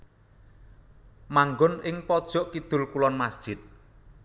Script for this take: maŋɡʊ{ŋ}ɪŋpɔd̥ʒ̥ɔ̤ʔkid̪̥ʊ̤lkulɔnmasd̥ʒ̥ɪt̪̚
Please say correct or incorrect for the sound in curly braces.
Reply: incorrect